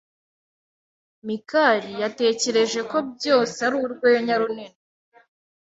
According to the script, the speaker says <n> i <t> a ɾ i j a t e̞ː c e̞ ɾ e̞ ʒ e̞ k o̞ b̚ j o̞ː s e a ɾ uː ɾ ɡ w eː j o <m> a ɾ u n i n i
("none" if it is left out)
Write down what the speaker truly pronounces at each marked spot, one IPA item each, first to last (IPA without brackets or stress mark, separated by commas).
m, k, ɲ